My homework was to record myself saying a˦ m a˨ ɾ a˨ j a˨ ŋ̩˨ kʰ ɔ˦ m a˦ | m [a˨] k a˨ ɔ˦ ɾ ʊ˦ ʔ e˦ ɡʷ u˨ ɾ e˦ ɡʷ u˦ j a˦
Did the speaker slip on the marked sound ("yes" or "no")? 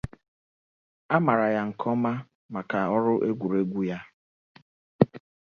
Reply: no